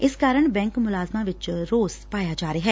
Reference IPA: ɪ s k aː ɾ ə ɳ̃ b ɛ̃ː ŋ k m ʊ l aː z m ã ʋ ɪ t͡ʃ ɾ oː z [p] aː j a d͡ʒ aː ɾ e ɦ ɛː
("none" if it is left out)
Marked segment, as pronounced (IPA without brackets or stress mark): p